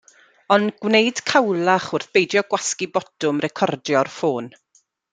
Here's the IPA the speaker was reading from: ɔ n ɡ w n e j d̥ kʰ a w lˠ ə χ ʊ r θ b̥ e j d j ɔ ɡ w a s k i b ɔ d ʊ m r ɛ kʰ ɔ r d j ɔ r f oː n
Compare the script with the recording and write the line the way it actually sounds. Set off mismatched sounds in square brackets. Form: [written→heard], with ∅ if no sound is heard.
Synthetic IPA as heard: ɔ n ɡ w n e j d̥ kʰ a w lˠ [ə→a] χ ʊ r θ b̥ e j d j ɔ ɡ w a s k i b ɔ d ʊ m r ɛ kʰ ɔ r d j ɔ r f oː n